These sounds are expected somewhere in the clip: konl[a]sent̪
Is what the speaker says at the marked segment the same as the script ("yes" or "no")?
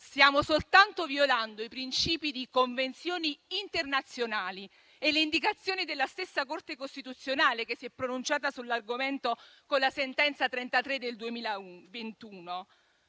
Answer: yes